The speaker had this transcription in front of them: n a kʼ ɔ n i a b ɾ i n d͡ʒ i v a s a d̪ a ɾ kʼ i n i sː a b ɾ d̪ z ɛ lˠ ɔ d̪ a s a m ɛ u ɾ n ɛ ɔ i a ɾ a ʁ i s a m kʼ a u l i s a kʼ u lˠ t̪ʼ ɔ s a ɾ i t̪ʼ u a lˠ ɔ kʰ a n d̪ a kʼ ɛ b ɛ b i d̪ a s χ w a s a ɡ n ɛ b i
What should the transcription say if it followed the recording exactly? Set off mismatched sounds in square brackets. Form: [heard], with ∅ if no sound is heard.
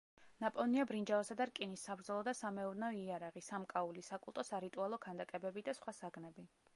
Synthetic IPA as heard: n a [pʼ] ɔ n i a b ɾ i n d͡ʒ [a] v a s a d̪ a ɾ kʼ i n i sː a b ɾ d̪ z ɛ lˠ ɔ d̪ a s a m ɛ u ɾ n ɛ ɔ i a ɾ a ʁ i s a m kʼ a u l i s a kʼ u lˠ t̪ʼ ɔ s a ɾ i t̪ʼ u a lˠ ɔ kʰ a n d̪ a kʼ ɛ b ɛ b i d̪ a s χ w a s a ɡ n ɛ b i